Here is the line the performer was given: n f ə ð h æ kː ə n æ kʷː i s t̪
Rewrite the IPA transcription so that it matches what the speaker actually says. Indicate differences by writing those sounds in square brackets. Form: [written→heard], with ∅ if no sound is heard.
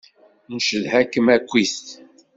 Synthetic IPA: n [f→ʃ] ə ð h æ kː ə [n→m] æ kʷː i s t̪